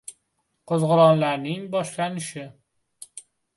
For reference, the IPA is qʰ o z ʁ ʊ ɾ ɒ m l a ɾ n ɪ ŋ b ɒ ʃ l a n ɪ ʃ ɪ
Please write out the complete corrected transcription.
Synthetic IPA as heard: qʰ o z ʁ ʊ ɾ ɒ n l a ɾ n ɪ ŋ b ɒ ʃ l a n ɪ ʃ ɪ